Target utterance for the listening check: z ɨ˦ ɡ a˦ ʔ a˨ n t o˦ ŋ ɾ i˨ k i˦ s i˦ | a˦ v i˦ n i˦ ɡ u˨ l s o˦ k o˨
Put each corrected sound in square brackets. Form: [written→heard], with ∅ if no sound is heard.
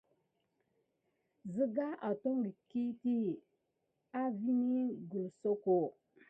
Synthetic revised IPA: z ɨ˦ ɡ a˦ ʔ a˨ [n→∅] t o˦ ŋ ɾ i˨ k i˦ [s→t] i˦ | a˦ v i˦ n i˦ ɡ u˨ l s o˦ k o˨

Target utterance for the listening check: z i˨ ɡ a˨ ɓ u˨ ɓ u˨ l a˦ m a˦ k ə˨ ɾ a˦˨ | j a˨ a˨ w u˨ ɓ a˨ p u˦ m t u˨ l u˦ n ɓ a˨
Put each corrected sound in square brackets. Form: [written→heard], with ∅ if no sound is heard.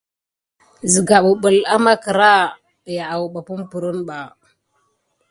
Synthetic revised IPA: z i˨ ɡ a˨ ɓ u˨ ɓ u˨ l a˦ m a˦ k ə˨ ɾ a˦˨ | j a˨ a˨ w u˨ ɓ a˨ p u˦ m [t→p] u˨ [l→ɾ] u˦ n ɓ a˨

